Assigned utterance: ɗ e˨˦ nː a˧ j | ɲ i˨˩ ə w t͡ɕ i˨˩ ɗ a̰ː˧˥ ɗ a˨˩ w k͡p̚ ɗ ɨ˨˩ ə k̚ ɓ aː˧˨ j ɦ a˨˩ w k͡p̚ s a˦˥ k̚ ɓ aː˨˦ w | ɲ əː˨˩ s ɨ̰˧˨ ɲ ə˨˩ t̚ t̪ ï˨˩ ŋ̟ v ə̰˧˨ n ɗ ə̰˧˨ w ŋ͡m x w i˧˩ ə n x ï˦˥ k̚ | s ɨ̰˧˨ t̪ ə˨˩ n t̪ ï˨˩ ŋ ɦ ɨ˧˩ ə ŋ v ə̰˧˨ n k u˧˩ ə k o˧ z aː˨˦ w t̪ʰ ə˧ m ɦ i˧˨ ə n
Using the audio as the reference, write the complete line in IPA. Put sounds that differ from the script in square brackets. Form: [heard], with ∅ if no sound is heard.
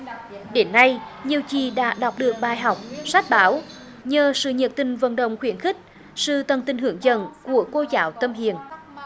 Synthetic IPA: ɗ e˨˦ nː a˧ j | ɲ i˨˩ ə w t͡ɕ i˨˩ ɗ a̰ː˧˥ ɗ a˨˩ w k͡p̚ ɗ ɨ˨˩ ə k̚ ɓ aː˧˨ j ɦ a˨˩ w k͡p̚ s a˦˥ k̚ ɓ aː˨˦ w | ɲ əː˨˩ s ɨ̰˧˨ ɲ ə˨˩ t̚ t̪ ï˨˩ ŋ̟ v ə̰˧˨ n ɗ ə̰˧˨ w ŋ͡m x w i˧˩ ə n x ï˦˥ k̚ | s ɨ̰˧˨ t̪ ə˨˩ n t̪ ï˨˩ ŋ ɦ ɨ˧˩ ə ŋ [z] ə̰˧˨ n k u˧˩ ə k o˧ z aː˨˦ w [t̪] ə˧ m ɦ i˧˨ ə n